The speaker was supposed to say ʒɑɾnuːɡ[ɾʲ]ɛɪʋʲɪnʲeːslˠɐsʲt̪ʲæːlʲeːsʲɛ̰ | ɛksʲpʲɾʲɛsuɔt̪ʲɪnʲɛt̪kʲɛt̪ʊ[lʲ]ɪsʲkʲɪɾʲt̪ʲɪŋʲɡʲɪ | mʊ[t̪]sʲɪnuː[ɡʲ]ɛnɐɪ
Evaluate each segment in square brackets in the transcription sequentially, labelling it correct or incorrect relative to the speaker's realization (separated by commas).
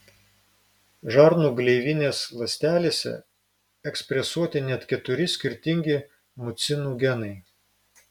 incorrect, incorrect, correct, correct